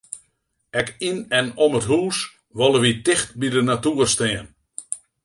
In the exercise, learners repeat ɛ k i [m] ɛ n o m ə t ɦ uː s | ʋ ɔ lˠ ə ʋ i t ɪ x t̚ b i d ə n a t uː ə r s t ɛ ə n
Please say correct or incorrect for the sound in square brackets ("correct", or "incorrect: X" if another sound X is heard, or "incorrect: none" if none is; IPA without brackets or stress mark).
incorrect: n